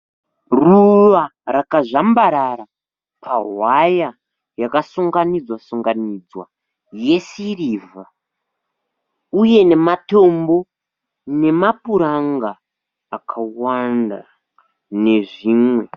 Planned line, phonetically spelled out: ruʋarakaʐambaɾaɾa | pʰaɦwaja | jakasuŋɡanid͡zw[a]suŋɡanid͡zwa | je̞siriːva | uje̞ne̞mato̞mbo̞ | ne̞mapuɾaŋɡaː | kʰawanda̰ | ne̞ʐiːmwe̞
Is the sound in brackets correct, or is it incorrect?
correct